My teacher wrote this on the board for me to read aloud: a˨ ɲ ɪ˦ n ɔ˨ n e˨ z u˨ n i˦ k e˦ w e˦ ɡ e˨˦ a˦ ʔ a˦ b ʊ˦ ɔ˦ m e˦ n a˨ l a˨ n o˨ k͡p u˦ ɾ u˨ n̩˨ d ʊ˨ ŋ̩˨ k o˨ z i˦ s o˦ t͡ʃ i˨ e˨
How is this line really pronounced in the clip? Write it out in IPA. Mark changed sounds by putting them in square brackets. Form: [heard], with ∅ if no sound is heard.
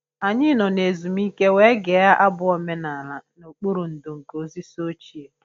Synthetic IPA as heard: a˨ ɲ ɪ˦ n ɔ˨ n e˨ z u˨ [m] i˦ k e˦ w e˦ ɡ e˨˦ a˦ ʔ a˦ b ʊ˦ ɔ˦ m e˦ n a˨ l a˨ n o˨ k͡p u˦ ɾ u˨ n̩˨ d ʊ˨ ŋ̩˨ k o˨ z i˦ s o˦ t͡ʃ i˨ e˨